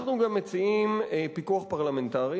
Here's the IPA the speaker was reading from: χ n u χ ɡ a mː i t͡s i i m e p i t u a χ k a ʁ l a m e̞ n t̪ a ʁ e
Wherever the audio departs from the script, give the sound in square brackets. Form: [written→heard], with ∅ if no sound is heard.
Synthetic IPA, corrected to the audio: χ n u [χ→∅] ɡ a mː [i→e] t͡s i i m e p i [t→k] u a χ [k→p] a ʁ l a m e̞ n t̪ a ʁ [e→i]